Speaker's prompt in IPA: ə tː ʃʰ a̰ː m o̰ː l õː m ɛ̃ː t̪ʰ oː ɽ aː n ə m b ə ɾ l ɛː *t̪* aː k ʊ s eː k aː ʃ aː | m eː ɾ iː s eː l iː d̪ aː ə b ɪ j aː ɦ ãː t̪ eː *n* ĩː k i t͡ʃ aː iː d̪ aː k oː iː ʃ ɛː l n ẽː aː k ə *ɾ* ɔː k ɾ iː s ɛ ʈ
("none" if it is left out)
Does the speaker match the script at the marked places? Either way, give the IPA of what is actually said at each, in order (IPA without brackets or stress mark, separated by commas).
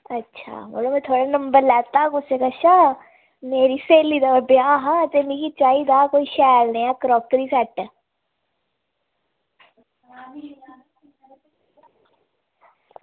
t̪, m, ɾ